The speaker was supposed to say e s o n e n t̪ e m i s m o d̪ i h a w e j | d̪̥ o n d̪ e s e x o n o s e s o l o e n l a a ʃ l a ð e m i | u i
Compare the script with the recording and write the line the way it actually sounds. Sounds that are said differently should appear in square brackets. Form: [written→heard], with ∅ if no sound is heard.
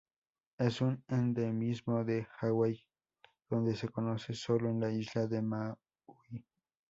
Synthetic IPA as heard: e s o n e n [t̪→d̪] e m i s m o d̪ [i→e] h a w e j | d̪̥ o n d̪ e s e [x→k] o n o s e s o l o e n l a [a→i] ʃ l a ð e m [i→a] | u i